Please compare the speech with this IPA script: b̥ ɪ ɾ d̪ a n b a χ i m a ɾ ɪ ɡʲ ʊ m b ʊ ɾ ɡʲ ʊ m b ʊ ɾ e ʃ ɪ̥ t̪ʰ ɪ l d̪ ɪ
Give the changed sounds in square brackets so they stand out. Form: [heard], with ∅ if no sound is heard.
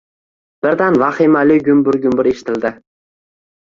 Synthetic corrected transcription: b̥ ɪ ɾ d̪ a n [v] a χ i m a [l] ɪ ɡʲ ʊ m b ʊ ɾ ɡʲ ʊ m b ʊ ɾ e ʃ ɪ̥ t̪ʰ ɪ l d̪ ɪ